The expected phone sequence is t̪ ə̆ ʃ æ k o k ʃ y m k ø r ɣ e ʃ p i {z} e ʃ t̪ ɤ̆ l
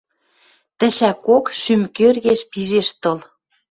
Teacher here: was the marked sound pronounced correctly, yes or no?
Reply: no